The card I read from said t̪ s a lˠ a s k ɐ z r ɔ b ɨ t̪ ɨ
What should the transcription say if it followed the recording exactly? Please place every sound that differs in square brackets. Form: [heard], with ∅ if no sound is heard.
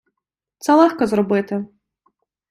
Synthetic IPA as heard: t̪ s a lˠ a [x] k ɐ z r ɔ b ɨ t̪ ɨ